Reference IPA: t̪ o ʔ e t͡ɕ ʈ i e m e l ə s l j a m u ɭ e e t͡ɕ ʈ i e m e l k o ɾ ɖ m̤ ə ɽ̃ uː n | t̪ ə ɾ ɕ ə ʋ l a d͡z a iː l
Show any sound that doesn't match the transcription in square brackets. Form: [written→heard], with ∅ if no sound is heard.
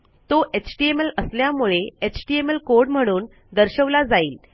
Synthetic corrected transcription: t̪ o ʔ e t͡ɕ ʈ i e m e l ə s l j a m u ɭ e e t͡ɕ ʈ i e m e l k o ɾ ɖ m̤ ə ɽ̃ uː n | [t̪→d̪] ə ɾ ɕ ə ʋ l a d͡z a iː l